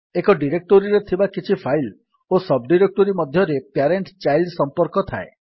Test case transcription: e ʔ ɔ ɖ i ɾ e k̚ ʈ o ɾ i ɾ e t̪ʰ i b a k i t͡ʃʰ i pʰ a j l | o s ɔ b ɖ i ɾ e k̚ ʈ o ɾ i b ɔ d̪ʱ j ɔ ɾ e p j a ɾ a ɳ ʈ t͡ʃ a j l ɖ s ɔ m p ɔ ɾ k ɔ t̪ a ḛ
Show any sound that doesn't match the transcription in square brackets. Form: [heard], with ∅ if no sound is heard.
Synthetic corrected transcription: e [k] ɔ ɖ i ɾ e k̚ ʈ o ɾ i ɾ e t̪ʰ i b a k i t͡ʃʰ i pʰ a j l | o s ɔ b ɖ i ɾ e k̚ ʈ o ɾ i [m] ɔ d̪ʱ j ɔ ɾ e p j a ɾ [e] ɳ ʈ t͡ʃ a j l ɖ s ɔ m p ɔ ɾ k ɔ [t̪ʰ] a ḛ